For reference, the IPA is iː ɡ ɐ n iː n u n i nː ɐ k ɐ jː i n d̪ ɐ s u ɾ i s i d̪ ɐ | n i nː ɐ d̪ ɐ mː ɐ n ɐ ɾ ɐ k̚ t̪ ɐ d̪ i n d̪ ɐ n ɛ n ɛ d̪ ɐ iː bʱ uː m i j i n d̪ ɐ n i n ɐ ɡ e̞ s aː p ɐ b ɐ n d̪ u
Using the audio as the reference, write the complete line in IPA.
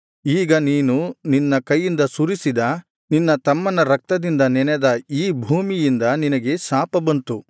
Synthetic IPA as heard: iː ɡ ɐ n iː n u n i nː ɐ k ɐ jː i n d̪ ɐ s u ɾ i s i d̪ ɐ | n i nː ɐ t̪ ɐ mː ɐ n ɐ ɾ ɐ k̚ t̪ ɐ d̪ i n d̪ ɐ n ɛ n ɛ d̪ ɐ iː bʱ uː m i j i n d̪ ɐ n i n ɐ ɡ e̞ s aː p ɐ b ɐ n t̪ u

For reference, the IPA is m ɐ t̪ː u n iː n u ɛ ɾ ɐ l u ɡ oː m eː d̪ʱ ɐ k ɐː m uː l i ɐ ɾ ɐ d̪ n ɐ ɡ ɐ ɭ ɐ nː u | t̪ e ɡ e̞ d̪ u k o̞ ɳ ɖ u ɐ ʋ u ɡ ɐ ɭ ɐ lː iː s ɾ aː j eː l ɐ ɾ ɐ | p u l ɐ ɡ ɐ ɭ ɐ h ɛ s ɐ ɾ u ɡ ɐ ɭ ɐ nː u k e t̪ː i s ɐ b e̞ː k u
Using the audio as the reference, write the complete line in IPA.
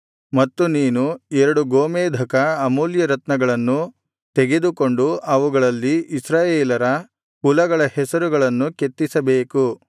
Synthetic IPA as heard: m ɐ t̪ː u n iː n u ɛ ɾ ɐ ɽ u ɡ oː m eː d̪ʱ ɐ k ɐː m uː l j ɐ ɾ ɐ t̪ n ɐ ɡ ɐ ɭ ɐ nː u | t̪ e ɡ e̞ d̪ u k o̞ ɳ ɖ u ɐ ʋ u ɡ ɐ ɭ ɐ lː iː s ɾ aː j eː l ɐ ɾ ɐ | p u l ɐ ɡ ɐ ɭ ɐ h ɛ s ɐ ɾ u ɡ ɐ ɭ ɐ nː u k e t̪ː i s ɐ b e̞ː k u

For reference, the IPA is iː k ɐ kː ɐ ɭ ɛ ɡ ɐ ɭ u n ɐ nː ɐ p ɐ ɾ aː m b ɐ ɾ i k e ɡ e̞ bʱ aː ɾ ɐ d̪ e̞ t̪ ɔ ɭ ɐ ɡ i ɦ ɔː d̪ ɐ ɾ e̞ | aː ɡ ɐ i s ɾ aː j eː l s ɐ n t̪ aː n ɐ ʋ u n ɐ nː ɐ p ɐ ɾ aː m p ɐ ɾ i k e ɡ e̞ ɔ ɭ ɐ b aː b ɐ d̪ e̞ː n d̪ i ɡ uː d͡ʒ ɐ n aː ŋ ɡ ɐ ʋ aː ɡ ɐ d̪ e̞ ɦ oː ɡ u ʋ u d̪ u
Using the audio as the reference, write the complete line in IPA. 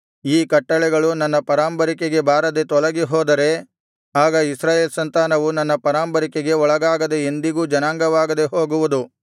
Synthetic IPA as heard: iː k ɐ ʈː ɐ ɭ ɛ ɡ ɐ ɭ u n ɐ nː ɐ p ɐ ɾ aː m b ɐ ɾ i k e ɡ e̞ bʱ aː ɾ ɐ d̪ e̞ t̪ ɔ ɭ ɐ ɡ i ɦ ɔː d̪ ɐ ɾ e̞ | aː ɡ ɐ i s ɾ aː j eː l s ɐ n t̪ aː n ɐ ʋ u n ɐ nː ɐ p ɐ ɾ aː m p ɐ ɾ i k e ɡ e̞ ɔ ɭ ɐ ɡ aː ɡ ɐ d̪ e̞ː n d̪ i ɡ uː d͡ʒ ɐ n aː ŋ ɡ ɐ ʋ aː ɡ ɐ d̪ e̞ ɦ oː ɡ u ʋ u d̪ u

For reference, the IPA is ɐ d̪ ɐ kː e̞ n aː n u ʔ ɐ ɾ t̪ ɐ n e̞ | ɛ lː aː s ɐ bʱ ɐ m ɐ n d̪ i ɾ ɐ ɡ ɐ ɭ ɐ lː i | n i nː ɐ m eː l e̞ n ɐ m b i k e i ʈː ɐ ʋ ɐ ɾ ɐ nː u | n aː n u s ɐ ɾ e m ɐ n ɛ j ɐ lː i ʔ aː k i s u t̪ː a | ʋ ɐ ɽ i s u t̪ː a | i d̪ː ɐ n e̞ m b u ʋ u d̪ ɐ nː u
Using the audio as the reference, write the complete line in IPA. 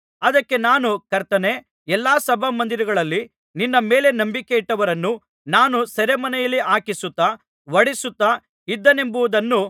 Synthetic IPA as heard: ɐ d̪ ɐ kː e̞ n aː n u k ɐ ɾ t̪ ɐ n e̞ | ɛ lː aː s ɐ bʱ ɐ m ɐ n d̪ i ɾ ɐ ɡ ɐ ɭ ɐ lː i | n i nː ɐ m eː l e̞ n ɐ m b i k e i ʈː ɐ ʋ ɐ ɾ ɐ nː u | n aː n u s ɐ ɾ e m ɐ n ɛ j ɐ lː i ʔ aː k i s u t̪ː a | ʋ ɐ ɽ i s u t̪ː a | i d̪ː ɐ n e̞ m b u ʋ u d̪ ɐ nː u

